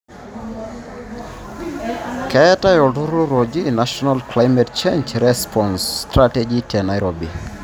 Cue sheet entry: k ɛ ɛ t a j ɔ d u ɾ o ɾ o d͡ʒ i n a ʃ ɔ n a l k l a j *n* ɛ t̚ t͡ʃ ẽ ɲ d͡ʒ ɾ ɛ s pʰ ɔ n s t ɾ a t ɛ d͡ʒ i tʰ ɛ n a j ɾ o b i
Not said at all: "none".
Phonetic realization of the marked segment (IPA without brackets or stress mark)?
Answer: m